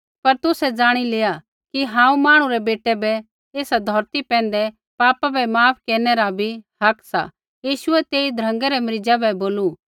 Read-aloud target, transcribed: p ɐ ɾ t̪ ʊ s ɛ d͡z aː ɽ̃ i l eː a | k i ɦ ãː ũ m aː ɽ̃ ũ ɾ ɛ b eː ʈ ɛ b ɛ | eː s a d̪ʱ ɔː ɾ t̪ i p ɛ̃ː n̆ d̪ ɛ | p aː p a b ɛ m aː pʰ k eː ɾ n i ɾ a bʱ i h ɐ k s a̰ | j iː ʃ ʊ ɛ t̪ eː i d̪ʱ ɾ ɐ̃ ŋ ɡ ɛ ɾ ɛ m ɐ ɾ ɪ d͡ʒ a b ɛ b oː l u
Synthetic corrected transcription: p ɐ ɾ t̪ ʊ s ɛ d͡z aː ɽ̃ i l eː a | k i ɦ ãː ũ m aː ɽ̃ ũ ɾ ɛ b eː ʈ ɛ b ɛ | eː s a d̪ʱ ɔː ɾ t̪ i p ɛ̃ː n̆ d̪ ɛ | p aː p a b ɛ m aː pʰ k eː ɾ n ɛ ɾ a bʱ i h ɐ k s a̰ | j iː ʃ ʊ ɛ t̪ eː i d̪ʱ ɾ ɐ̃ ŋ ɡ ɛ ɾ ɛ m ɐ ɾ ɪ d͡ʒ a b ɛ b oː l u